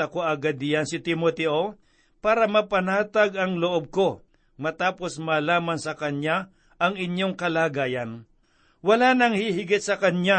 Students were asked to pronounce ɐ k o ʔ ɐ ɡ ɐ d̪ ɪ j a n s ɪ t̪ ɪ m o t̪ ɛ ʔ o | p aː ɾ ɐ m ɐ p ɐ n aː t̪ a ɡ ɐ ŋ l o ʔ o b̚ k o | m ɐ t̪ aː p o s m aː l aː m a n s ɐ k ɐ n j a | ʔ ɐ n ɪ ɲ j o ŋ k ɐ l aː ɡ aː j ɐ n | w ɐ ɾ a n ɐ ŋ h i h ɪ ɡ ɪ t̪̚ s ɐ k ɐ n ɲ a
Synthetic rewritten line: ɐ k o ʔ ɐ ɡ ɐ d̪ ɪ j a n s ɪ t̪ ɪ m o t̪ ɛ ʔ o | p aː ɾ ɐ m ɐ p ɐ n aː t̪ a ɡ ɐ ŋ l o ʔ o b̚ k o | m ɐ t̪ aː p o s m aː l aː m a n s ɐ k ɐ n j a | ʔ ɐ ŋ ɪ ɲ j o ŋ k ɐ l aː ɡ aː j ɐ n | w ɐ l a n ɐ ŋ h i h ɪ ɡ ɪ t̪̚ s ɐ k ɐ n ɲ a